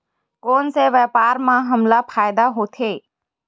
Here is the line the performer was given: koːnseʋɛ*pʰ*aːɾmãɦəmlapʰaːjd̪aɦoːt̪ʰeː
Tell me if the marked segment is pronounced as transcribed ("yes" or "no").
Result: no